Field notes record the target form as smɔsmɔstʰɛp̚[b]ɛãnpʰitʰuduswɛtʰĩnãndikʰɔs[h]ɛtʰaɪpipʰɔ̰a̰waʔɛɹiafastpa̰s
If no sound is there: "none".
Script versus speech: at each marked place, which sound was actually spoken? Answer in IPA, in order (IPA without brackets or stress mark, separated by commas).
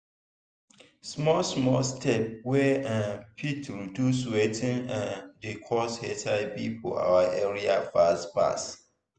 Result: w, h